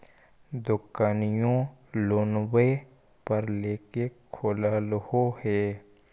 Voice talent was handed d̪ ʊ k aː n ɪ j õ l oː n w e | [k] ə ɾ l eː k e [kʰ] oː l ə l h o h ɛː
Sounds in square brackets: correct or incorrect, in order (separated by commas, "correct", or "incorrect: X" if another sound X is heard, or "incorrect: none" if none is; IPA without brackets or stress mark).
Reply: incorrect: p, correct